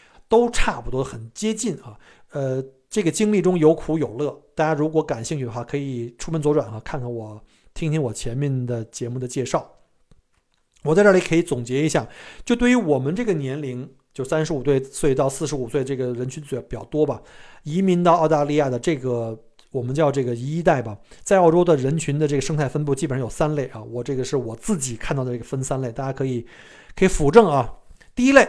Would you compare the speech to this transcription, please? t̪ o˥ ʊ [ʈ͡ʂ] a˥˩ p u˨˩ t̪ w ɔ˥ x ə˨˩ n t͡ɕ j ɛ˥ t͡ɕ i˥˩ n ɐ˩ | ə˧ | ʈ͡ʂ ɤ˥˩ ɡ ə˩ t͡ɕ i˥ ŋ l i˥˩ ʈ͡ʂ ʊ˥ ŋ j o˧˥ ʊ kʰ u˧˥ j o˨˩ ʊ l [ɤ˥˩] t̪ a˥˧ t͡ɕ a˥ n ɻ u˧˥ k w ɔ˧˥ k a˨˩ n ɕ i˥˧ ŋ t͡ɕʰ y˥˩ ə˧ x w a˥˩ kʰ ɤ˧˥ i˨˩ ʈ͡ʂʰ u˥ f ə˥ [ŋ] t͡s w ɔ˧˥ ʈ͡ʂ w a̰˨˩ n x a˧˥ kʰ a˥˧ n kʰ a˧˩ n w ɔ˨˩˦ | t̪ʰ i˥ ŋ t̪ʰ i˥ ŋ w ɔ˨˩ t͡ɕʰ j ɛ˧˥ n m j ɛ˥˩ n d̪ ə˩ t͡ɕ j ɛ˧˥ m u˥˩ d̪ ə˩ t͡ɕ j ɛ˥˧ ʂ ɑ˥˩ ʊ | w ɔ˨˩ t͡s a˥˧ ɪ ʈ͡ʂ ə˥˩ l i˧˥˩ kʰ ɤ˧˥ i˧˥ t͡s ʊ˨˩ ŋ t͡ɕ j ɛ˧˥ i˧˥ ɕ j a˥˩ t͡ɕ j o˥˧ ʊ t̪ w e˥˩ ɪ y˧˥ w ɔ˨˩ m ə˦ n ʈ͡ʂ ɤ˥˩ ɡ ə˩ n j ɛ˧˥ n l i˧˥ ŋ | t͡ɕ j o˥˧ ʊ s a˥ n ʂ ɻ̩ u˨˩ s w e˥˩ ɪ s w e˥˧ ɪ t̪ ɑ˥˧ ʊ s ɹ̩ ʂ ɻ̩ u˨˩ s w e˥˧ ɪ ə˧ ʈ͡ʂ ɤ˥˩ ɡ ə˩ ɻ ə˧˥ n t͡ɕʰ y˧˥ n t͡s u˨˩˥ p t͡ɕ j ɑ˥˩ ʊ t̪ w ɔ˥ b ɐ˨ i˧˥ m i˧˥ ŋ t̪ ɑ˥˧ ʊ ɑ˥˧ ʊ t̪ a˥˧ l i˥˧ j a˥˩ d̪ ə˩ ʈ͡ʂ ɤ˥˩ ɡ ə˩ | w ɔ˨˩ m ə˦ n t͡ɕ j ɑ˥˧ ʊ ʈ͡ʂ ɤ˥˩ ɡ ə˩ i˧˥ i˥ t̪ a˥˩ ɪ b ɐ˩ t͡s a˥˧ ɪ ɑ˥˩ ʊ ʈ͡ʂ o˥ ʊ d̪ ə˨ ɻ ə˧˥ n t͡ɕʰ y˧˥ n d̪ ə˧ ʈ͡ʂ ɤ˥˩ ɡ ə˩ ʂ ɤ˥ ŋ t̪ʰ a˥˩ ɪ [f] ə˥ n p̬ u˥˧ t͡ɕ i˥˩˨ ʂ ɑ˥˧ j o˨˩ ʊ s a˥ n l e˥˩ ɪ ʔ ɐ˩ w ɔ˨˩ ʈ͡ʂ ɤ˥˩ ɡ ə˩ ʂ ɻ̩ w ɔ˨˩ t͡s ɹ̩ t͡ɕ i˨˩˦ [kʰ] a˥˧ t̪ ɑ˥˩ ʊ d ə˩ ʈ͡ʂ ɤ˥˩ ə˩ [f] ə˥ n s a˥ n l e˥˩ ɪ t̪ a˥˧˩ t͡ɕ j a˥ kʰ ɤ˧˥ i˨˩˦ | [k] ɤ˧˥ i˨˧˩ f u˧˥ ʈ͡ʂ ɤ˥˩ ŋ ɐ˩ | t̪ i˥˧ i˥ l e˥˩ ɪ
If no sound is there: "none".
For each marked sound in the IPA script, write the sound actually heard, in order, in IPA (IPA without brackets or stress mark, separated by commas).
ʈ͡ʂʰ, ɤ˥˩, n, f, kʰ, f, kʰ